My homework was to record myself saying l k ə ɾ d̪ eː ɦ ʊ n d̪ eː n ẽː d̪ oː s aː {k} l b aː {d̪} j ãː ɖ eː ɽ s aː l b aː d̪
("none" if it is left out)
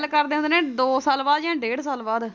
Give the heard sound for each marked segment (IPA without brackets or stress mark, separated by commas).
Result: none, d̪